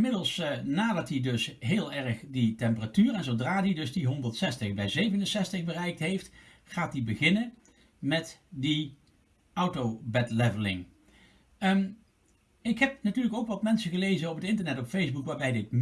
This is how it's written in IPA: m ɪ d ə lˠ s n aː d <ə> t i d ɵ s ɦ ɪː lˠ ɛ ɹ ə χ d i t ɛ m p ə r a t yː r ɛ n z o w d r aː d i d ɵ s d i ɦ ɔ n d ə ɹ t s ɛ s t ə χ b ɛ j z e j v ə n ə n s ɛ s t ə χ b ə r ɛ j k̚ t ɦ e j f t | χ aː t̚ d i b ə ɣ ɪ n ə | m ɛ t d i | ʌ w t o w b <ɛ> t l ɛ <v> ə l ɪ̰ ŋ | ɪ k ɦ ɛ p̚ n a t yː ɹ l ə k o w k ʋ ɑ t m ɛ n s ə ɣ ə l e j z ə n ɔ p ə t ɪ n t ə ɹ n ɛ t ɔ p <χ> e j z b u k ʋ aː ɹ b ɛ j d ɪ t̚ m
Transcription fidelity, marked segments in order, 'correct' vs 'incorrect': incorrect, correct, correct, incorrect

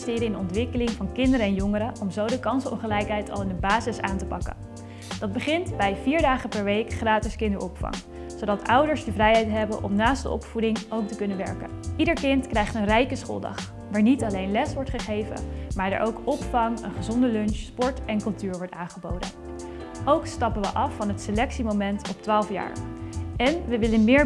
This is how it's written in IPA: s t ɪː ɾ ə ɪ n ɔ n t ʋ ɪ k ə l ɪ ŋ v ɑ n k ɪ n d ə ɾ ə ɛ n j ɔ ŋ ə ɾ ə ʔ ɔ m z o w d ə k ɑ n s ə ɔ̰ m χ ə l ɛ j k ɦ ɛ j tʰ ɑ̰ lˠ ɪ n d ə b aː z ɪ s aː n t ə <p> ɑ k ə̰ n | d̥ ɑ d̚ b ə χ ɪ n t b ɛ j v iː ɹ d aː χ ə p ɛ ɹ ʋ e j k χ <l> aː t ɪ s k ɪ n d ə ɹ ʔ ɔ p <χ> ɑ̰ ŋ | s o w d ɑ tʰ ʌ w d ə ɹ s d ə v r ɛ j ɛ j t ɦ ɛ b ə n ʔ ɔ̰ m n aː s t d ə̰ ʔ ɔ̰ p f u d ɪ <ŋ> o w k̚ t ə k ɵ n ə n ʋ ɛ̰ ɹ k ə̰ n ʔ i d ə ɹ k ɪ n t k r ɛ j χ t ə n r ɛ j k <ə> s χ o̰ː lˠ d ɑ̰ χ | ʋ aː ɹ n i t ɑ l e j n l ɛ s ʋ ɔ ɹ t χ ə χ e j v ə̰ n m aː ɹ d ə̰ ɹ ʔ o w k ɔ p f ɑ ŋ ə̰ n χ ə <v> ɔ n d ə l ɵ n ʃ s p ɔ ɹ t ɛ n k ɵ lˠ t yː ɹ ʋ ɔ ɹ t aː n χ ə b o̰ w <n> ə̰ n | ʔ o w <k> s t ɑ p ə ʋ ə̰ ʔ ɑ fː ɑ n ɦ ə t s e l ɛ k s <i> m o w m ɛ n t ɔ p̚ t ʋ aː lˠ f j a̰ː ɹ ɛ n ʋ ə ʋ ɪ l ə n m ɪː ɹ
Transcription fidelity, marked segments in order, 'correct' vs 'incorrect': correct, incorrect, incorrect, correct, correct, incorrect, incorrect, correct, correct

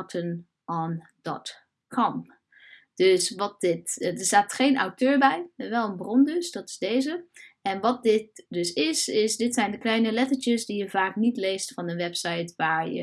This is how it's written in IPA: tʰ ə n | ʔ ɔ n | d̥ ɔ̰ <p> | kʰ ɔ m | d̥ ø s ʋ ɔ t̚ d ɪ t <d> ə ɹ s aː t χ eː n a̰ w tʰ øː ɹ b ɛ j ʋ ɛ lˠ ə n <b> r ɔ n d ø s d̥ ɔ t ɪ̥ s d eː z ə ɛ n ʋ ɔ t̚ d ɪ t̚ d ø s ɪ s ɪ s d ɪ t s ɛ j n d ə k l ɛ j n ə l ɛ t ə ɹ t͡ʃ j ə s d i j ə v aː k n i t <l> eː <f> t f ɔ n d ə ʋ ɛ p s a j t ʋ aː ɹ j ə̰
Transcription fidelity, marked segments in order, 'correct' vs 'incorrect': incorrect, correct, correct, correct, incorrect

